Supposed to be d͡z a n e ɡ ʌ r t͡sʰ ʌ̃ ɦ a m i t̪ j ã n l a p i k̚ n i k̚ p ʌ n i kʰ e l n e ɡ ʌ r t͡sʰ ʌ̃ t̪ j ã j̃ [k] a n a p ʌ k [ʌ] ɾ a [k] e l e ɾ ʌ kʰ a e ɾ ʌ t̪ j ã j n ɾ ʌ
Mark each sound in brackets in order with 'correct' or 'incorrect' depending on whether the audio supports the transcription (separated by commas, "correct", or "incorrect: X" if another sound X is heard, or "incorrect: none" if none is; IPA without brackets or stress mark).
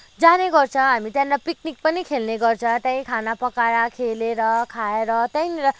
incorrect: kʰ, incorrect: a, incorrect: kʰ